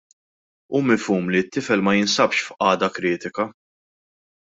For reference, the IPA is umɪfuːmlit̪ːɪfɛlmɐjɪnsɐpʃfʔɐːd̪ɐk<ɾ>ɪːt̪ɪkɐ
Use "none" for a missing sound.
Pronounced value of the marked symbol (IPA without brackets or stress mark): ɾ